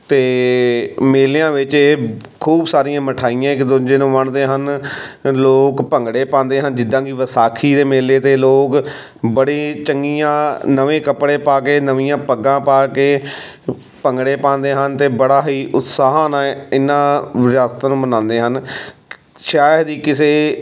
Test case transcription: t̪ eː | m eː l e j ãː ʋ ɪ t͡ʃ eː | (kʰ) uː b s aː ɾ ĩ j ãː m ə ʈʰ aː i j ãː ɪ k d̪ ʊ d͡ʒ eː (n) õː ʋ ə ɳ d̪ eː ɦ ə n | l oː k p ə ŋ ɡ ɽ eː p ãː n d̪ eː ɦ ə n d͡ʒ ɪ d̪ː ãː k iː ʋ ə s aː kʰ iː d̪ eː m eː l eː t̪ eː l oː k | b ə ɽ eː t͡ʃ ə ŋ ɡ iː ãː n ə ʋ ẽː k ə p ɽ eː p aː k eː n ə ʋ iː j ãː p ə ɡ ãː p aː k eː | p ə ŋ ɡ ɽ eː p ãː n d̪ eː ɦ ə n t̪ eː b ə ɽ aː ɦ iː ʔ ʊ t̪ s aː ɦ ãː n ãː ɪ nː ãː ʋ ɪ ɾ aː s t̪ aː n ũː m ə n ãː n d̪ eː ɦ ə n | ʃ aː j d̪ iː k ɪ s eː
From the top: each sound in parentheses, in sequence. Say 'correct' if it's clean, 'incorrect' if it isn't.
correct, correct

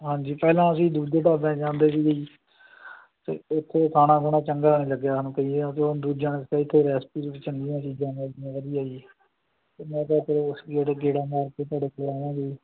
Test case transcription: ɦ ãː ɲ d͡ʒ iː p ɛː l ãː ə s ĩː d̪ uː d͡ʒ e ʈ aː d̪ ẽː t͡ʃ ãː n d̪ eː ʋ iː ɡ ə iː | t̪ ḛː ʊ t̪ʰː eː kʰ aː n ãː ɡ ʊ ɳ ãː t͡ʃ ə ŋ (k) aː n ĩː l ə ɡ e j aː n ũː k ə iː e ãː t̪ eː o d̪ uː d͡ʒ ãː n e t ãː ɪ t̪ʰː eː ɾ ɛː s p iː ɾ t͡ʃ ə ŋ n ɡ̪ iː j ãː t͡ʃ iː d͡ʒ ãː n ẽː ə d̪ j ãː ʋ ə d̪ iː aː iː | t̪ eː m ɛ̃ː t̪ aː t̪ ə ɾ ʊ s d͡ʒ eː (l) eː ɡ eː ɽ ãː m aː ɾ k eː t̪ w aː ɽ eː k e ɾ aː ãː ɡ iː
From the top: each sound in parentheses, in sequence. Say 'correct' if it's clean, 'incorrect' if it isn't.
incorrect, incorrect

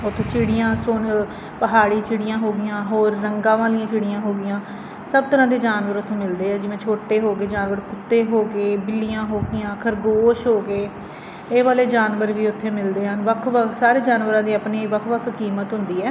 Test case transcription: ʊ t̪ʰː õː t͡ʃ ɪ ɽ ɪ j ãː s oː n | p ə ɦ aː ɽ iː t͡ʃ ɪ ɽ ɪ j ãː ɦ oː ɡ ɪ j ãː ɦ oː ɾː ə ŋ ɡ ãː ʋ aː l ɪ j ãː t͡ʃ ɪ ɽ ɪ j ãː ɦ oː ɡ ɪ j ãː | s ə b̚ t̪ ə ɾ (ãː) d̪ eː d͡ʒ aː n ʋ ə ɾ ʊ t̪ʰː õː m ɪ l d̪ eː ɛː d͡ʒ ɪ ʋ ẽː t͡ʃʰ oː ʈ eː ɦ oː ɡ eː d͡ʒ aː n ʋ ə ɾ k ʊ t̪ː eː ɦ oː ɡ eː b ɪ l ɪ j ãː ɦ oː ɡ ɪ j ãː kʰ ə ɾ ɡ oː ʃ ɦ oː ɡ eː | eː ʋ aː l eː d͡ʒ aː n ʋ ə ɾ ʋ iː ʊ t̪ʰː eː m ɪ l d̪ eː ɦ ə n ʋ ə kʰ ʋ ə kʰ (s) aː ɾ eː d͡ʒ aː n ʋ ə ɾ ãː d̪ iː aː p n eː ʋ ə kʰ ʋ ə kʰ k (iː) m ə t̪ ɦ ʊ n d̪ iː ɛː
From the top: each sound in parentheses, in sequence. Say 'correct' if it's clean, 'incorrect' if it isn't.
correct, correct, correct

